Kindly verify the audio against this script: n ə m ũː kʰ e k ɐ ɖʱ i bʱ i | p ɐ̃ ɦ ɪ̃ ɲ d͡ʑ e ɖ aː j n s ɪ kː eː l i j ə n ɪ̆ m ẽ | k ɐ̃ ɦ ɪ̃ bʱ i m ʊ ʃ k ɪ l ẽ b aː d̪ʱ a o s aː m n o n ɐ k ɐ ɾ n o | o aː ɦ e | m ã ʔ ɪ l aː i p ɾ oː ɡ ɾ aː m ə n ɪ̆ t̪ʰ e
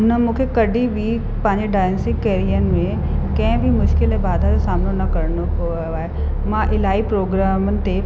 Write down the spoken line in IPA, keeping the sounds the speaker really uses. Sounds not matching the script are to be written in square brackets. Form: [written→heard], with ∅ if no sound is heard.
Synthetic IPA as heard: n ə m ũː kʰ e k ɐ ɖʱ i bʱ i | p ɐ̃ ɦ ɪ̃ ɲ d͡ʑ e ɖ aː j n s ɪ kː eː [l→ɾ] i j ə n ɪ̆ m ẽ | k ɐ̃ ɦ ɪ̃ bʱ i m ʊ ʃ k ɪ l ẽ b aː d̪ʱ a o s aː m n o n ɐ k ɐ ɾ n o | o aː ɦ e | m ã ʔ ɪ l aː i p ɾ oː ɡ ɾ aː m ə n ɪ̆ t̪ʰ e

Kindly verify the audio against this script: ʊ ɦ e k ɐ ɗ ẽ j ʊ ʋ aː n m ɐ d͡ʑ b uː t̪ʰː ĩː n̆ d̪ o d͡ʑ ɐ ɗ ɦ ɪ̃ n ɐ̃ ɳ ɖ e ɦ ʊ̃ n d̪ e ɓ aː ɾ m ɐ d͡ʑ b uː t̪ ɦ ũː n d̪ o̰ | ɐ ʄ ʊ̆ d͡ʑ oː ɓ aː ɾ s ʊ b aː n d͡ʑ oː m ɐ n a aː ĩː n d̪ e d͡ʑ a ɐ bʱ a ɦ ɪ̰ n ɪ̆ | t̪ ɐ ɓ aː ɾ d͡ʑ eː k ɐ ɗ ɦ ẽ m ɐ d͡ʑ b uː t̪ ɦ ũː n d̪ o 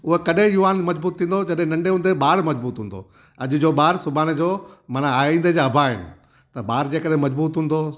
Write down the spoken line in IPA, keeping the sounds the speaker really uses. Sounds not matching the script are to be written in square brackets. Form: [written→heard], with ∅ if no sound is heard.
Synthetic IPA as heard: ʊ ɦ e k ɐ ɗ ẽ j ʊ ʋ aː n m ɐ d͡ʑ b uː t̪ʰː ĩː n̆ d̪ o d͡ʑ ɐ ɗ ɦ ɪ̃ n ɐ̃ ɳ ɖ e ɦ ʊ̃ n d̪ e ɓ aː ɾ m ɐ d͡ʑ b uː t̪ ɦ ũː n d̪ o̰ | ɐ ʄ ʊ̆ d͡ʑ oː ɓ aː ɾ s ʊ b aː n d͡ʑ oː m ɐ n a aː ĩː n d̪ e d͡ʑ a ɐ bʱ a ɦ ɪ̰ n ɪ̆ | t̪ ɐ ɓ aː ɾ d͡ʑ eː k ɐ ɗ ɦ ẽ m ɐ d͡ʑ b uː t̪ ɦ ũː n d̪ o

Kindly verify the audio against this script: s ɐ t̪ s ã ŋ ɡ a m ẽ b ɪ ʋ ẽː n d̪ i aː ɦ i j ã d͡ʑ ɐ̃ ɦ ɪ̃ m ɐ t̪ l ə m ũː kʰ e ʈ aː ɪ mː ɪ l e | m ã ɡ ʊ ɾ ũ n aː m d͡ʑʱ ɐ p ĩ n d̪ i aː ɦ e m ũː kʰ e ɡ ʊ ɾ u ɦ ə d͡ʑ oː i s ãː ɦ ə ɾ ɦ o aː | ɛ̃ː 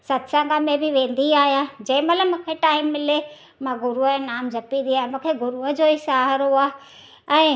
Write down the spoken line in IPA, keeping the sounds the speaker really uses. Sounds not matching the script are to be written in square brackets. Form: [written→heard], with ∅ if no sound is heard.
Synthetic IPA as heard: s ɐ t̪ s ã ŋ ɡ a m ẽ b ɪ ʋ ẽː n d̪ i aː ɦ i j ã d͡ʑ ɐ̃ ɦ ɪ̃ m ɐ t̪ l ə m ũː kʰ e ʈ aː ɪ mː ɪ l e | m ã ɡ ʊ ɾ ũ n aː m d͡ʑʱ ɐ p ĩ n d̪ i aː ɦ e m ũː kʰ e ɡ ʊ ɾ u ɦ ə d͡ʑ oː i s [ãː→aː] ɦ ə ɾ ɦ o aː | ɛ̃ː

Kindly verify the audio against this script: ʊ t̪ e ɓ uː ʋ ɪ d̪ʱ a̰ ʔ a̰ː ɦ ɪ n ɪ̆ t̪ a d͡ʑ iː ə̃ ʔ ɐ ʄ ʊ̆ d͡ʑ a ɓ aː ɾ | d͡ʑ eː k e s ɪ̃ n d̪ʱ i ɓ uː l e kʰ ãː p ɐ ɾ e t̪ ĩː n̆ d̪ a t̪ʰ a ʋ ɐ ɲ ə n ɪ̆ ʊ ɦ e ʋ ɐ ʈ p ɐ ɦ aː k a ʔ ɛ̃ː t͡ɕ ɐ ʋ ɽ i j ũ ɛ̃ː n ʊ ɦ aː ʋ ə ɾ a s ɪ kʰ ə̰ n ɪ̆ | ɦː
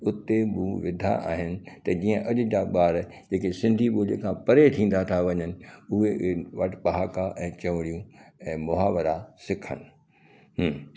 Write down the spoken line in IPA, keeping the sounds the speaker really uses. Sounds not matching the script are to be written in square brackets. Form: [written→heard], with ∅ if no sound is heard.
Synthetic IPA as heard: ʊ t̪ e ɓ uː ʋ ɪ d̪ʱ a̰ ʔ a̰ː ɦ ɪ n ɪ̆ t̪ [a→ɐ] d͡ʑ iː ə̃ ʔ ɐ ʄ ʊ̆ d͡ʑ a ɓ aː ɾ | d͡ʑ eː k e s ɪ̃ n d̪ʱ i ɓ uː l e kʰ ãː p ɐ ɾ e [t̪→t̪ʰ] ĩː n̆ d̪ a t̪ʰ a ʋ ɐ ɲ ə n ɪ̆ ʊ ɦ e ʋ ɐ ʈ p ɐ ɦ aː k a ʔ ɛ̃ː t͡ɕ ɐ ʋ ɽ i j ũ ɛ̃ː [n→m] ʊ ɦ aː ʋ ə ɾ a s ɪ kʰ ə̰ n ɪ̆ | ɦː

